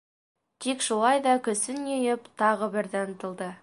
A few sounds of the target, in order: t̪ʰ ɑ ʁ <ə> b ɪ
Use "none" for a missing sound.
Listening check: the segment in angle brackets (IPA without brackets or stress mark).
ə